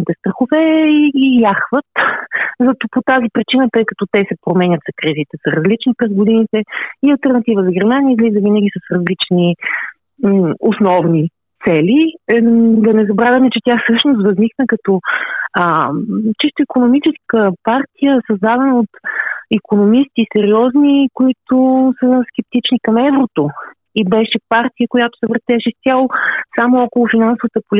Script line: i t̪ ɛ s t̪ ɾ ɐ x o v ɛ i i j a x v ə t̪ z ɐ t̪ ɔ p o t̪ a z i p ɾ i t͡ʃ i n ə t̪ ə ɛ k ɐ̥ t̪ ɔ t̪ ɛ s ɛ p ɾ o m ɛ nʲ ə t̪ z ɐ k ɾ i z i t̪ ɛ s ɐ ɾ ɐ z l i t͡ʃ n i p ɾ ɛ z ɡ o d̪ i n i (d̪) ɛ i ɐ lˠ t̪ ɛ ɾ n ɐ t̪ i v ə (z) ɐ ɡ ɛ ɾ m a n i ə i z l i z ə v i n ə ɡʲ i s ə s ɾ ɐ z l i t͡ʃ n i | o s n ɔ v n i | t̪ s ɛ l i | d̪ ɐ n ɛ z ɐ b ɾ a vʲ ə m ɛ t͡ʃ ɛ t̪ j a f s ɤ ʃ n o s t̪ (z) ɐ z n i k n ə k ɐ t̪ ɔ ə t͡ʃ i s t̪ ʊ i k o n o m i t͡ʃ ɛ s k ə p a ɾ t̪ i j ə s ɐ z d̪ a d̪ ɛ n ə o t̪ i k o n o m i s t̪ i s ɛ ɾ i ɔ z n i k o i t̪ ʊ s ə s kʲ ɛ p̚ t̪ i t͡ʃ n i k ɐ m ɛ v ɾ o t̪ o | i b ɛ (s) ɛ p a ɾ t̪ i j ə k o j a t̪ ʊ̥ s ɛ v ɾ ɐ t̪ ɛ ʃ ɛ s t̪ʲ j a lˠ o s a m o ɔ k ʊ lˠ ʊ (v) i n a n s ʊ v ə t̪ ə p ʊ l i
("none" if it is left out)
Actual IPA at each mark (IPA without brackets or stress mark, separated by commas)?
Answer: t̪, z, v, ʃ, f